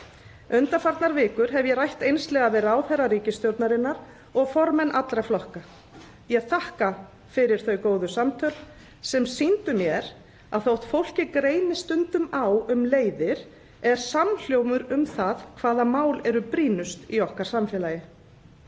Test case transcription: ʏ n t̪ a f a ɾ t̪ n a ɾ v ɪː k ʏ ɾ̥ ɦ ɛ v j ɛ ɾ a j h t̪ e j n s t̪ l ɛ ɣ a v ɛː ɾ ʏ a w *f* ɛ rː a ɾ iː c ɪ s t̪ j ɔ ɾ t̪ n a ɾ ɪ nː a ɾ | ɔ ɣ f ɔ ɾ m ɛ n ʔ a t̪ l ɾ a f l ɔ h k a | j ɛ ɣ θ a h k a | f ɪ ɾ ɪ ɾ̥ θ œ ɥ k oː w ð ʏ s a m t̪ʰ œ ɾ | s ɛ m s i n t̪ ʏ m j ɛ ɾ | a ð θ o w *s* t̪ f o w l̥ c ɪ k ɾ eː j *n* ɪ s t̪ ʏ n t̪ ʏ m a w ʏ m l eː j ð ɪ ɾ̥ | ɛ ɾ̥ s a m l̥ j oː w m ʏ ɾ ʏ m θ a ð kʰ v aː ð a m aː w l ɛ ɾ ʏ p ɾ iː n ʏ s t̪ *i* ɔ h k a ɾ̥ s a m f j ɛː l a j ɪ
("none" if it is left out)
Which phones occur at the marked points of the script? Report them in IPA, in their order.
θ, h, n, i

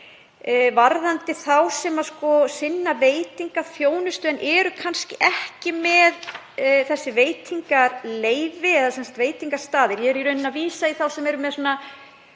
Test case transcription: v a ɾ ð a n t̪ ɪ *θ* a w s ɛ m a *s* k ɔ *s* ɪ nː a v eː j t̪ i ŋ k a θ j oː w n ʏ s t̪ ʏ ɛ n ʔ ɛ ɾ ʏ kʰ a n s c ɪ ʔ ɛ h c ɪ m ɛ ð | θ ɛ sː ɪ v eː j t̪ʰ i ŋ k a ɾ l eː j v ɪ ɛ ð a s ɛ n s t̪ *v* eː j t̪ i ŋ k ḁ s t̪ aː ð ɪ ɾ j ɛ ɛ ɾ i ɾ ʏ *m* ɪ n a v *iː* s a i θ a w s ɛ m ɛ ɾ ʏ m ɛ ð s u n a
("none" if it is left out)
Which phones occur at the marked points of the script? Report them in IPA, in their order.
θ, s, s, v, n, iː

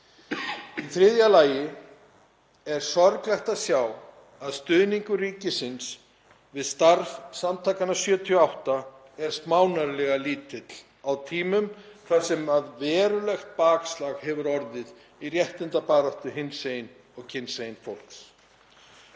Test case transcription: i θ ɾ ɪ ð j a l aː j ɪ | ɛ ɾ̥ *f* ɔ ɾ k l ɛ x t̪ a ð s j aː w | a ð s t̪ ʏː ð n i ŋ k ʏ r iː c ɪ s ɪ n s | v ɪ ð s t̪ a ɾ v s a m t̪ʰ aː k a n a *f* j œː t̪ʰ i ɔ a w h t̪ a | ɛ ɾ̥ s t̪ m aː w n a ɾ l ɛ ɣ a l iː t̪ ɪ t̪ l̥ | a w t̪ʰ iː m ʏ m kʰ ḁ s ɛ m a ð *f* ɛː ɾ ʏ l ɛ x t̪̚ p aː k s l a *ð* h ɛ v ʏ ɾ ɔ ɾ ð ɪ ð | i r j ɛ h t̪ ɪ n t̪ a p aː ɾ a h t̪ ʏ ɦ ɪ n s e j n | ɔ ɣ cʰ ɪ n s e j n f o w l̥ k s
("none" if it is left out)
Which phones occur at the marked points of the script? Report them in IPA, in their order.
s, s, v, ɣ

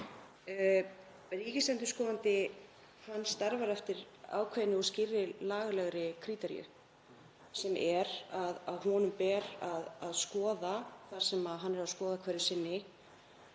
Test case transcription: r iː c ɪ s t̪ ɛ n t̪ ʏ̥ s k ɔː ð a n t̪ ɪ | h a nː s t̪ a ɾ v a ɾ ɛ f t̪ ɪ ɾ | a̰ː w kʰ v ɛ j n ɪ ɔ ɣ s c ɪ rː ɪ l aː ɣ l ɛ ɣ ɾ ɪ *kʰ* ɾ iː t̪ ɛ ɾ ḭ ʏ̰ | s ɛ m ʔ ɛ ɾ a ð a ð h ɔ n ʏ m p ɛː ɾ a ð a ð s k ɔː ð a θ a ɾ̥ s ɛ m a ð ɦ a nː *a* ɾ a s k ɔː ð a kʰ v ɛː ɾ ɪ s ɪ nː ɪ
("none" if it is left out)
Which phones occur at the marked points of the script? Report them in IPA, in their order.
kʰ, ɛ

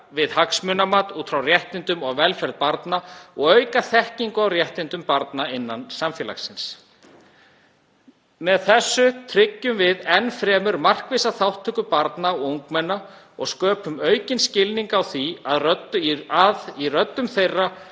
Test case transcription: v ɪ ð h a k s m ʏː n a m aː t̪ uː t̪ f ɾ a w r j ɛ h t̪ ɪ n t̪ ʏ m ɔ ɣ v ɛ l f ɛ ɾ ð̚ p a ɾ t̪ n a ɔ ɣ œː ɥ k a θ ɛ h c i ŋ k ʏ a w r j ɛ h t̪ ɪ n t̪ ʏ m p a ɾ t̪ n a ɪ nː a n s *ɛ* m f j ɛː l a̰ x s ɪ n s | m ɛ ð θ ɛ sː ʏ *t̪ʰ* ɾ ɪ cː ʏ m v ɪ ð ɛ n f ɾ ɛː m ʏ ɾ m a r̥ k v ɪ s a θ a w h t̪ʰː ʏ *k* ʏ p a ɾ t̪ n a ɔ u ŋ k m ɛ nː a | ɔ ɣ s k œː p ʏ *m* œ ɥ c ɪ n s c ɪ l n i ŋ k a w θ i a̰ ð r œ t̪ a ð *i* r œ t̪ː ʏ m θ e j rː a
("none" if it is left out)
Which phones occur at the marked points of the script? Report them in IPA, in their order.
a, t̪ʰ, k, m, i

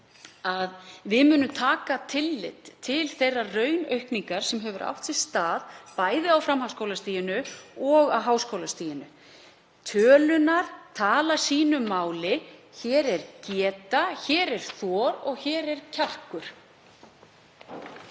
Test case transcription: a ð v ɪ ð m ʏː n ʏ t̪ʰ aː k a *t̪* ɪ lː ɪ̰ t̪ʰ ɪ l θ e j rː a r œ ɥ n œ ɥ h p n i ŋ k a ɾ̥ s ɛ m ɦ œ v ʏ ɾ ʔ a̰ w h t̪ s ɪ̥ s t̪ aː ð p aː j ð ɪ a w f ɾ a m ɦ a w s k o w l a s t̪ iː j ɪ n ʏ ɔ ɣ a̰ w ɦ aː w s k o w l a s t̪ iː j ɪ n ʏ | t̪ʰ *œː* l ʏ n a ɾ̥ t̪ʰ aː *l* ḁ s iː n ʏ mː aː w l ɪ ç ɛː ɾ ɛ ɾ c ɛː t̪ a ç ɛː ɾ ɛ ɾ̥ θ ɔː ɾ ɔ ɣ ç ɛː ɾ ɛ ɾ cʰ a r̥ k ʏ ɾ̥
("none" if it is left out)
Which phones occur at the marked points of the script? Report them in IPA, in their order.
t̪ʰ, œː, l

